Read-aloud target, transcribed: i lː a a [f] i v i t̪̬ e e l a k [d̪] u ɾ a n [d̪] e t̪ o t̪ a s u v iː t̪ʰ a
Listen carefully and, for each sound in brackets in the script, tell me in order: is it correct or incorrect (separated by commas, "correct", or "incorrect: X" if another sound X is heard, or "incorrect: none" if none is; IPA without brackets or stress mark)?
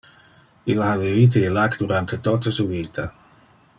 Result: incorrect: v, correct, incorrect: t̪